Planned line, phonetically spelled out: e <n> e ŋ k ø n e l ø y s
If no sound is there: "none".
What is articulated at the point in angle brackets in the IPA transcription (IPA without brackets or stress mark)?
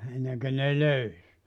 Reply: nː